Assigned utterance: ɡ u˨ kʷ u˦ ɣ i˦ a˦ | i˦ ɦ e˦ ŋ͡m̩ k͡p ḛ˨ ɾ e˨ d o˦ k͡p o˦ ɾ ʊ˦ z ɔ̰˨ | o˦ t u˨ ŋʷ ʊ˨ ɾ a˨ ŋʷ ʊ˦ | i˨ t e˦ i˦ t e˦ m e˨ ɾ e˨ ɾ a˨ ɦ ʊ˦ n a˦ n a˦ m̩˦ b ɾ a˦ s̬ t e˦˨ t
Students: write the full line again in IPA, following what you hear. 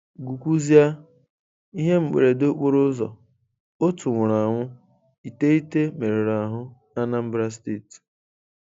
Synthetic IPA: ɡ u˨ kʷ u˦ z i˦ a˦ | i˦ ɦ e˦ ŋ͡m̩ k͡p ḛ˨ ɾ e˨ d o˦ k͡p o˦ ɾ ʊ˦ z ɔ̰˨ | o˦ t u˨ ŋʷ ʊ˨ ɾ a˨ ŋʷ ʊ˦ | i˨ t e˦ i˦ t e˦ m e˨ ɾ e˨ ɾ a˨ ɦ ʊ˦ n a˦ n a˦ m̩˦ b ɾ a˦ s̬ t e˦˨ t